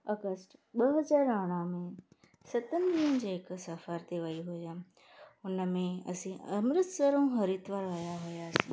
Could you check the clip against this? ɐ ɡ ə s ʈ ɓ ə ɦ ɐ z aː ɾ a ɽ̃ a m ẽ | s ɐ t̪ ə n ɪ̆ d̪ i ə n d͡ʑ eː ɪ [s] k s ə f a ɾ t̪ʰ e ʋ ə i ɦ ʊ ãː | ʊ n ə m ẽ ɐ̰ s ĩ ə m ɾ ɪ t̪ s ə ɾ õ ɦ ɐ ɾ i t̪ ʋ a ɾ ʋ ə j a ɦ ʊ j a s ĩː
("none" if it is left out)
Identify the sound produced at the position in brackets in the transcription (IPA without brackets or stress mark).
none